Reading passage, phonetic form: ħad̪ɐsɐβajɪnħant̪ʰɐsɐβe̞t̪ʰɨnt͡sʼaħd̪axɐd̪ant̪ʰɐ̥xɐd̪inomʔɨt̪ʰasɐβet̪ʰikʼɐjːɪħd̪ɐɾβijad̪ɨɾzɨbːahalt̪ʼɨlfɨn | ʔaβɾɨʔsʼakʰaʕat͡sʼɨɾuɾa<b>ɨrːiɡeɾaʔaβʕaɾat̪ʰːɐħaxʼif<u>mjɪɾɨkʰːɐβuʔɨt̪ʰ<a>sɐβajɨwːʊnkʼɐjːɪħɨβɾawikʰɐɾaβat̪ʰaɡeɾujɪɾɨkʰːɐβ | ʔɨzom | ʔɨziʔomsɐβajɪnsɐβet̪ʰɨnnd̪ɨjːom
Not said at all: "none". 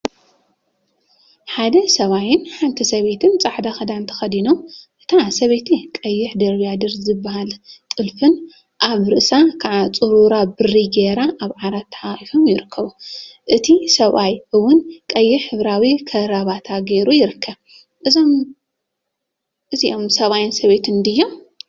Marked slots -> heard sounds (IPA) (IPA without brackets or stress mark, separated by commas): b, o, i